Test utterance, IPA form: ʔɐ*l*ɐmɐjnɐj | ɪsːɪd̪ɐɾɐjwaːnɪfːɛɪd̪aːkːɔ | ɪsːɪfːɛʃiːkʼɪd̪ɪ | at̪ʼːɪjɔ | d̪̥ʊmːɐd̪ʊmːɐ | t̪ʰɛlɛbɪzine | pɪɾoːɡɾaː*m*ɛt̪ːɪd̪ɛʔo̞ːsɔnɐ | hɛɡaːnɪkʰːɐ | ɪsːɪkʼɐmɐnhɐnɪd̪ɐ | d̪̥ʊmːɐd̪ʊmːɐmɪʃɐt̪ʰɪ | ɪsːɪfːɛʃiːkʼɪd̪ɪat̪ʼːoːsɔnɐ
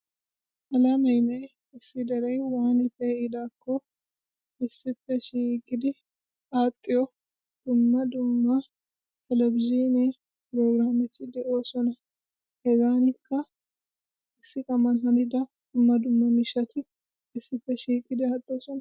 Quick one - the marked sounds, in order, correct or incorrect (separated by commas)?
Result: correct, correct